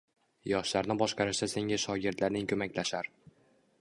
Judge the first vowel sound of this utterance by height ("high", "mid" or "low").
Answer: low